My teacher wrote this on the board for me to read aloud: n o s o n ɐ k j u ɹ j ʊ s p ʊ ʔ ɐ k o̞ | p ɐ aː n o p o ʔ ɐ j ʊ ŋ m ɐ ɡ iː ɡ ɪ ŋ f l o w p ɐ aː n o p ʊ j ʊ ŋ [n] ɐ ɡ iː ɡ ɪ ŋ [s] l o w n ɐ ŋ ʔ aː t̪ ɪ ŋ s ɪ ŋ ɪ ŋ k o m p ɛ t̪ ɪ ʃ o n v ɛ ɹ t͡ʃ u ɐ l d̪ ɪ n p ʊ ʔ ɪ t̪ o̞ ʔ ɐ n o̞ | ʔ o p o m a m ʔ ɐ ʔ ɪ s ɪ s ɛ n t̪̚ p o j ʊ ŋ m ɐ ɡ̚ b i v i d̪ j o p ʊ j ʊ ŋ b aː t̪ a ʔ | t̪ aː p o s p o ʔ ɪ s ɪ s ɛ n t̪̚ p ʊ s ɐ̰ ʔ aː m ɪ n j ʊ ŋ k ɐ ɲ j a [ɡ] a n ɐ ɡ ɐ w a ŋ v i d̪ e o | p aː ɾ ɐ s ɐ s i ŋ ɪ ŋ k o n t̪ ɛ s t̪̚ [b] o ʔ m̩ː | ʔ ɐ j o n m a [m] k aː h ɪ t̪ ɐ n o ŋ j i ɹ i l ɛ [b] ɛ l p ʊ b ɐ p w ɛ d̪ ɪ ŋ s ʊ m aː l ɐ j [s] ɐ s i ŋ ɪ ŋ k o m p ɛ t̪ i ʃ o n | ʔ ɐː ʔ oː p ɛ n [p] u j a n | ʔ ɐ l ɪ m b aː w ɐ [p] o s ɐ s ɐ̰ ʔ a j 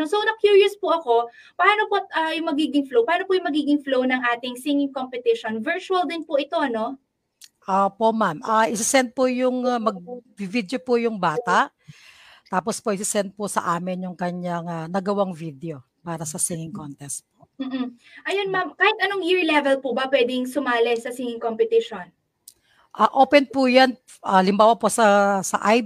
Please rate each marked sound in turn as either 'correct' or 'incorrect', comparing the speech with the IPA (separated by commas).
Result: incorrect, incorrect, incorrect, incorrect, correct, incorrect, correct, correct, correct